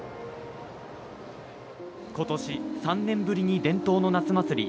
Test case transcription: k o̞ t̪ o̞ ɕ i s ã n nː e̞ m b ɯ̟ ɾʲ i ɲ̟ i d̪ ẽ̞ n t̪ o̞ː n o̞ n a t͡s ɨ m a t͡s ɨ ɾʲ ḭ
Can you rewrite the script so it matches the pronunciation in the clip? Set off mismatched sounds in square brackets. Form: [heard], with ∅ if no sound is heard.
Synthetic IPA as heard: k o̞ t̪ o̞ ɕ i s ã n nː [ẽ̞] m b ɯ̟ ɾʲ i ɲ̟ i d̪ ẽ̞ n t̪ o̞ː n o̞ n a t͡s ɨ m a t͡s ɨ ɾʲ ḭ